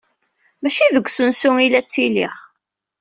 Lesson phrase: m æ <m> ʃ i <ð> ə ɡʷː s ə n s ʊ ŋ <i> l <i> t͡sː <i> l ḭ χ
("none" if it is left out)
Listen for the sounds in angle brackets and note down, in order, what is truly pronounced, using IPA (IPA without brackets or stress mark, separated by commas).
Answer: none, ð, i, æ, i